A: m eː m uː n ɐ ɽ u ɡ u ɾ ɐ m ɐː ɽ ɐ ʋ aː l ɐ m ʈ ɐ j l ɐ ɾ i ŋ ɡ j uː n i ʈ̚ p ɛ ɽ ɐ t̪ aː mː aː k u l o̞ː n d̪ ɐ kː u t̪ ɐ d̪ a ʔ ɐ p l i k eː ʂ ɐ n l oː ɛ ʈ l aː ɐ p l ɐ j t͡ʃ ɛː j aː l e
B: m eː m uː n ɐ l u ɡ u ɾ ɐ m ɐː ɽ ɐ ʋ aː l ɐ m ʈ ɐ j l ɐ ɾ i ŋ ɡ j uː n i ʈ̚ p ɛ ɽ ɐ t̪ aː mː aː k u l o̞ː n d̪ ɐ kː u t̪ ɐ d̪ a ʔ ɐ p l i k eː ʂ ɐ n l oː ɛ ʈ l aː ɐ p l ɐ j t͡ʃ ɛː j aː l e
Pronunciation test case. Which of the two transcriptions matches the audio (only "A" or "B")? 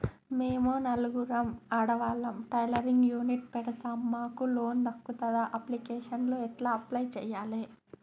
B